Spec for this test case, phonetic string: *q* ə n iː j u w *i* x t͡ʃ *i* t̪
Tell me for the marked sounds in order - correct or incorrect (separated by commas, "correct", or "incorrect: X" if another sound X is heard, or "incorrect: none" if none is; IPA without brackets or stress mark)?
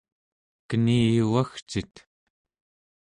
incorrect: k, incorrect: a, correct